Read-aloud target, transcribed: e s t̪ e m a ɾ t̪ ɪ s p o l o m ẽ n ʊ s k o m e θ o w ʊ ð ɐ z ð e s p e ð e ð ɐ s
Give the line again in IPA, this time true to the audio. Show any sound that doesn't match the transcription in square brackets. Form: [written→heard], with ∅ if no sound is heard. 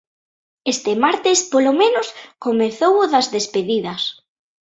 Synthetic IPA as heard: e s t̪ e m a ɾ t̪ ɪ s p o l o m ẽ n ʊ s k o m e θ o w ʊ ð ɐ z ð e s p e ð [e→i] ð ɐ s